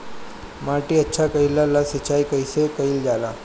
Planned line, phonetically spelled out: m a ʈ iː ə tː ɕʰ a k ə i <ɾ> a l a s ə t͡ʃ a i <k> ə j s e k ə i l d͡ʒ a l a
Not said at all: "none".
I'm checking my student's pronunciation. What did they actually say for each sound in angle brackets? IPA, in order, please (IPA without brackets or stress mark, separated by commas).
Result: l, k